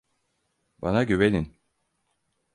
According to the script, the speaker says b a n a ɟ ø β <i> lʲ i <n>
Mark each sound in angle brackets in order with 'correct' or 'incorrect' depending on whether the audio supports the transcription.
incorrect: e, correct

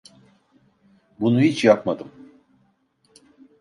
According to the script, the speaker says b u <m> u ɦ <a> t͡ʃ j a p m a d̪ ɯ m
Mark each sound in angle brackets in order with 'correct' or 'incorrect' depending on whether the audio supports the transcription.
incorrect: n, incorrect: i

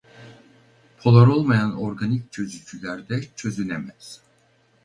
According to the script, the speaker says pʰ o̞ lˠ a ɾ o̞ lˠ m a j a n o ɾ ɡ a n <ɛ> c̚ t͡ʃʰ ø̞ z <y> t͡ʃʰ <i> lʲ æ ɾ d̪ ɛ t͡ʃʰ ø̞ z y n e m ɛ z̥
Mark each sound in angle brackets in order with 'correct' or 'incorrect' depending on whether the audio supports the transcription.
incorrect: i, correct, incorrect: y

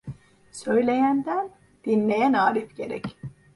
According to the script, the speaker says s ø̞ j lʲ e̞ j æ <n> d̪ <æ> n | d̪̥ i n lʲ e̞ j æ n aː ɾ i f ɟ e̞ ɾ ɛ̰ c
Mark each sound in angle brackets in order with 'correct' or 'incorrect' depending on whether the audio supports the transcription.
correct, correct

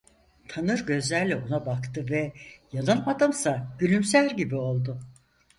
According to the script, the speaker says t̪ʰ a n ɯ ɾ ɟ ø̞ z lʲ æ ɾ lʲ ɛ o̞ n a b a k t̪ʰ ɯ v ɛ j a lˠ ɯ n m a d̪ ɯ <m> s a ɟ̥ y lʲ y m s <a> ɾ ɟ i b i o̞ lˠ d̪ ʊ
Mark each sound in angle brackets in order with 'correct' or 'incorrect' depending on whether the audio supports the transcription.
correct, incorrect: æ

